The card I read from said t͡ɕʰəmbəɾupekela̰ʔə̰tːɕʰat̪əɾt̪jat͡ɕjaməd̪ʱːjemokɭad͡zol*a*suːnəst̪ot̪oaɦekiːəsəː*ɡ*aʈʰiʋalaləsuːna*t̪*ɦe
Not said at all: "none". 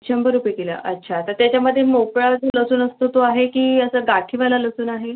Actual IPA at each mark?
ə, ɡ, none

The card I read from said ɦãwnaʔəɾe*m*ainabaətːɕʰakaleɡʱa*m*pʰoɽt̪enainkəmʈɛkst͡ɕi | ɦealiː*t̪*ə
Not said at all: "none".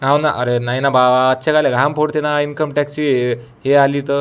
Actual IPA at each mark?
n, m, t̪

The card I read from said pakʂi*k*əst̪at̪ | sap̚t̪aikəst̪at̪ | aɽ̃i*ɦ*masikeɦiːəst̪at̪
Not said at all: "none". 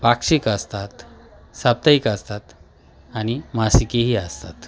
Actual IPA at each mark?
k, none

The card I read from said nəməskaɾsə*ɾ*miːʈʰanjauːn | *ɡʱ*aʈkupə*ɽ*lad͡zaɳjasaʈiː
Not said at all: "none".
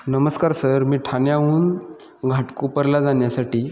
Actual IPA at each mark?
ɾ, ɡʱ, ɾ

